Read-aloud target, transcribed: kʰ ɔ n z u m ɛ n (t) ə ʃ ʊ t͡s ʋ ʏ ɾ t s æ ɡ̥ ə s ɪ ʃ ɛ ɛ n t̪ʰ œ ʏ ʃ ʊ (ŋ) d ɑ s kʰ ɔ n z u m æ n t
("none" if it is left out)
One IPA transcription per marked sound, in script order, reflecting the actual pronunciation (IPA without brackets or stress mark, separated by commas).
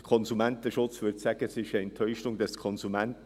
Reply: t, ŋ